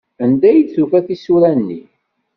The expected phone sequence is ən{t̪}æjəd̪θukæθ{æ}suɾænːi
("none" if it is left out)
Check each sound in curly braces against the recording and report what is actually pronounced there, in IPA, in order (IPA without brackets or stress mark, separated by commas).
d̪, i